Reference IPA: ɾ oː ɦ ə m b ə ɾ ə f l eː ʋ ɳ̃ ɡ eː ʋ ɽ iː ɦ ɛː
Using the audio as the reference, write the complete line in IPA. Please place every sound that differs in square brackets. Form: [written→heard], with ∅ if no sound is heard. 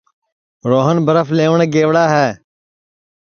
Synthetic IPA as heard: ɾ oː ɦ ə [m→n] b ə ɾ ə f l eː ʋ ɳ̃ ɡ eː ʋ ɽ [iː→aː] ɦ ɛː